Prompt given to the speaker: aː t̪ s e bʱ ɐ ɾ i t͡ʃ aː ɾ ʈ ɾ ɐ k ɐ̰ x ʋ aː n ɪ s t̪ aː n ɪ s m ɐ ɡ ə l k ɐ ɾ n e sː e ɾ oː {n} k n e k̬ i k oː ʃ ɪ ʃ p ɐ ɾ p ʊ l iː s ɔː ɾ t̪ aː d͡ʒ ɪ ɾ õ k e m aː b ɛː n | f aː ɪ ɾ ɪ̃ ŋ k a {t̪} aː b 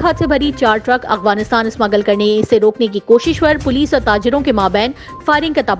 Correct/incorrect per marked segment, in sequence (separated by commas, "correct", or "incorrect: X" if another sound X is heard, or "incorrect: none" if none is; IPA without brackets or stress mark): incorrect: none, correct